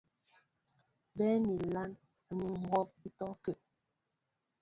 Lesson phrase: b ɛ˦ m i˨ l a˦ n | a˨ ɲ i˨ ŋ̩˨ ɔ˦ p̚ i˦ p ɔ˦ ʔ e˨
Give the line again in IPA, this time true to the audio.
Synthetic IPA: b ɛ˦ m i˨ l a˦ n | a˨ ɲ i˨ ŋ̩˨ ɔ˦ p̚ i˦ t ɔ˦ k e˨